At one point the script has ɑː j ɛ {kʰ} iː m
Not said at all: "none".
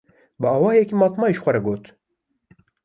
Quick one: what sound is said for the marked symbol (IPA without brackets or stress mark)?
k